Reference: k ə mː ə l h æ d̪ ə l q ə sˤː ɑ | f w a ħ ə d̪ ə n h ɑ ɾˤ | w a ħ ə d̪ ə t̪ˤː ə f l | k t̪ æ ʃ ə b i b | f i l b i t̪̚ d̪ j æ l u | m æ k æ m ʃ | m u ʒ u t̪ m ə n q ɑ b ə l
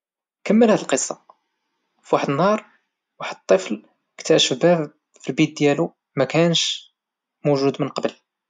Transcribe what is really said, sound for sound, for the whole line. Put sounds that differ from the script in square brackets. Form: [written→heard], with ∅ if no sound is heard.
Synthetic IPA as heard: k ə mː ə l h æ d̪ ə l q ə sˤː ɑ | f w a ħ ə d̪ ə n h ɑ ɾˤ | w a ħ ə d̪ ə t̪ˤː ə f l | k t̪ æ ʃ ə b [i→æ] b | f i l b i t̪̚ d̪ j æ l u | m æ k æ [m→n] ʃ | m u ʒ u [t̪→d̪] m ə n q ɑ b ə l